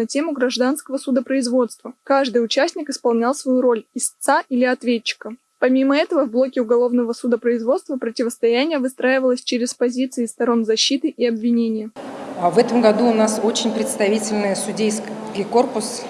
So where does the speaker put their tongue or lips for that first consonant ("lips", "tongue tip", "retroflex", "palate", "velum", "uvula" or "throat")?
tongue tip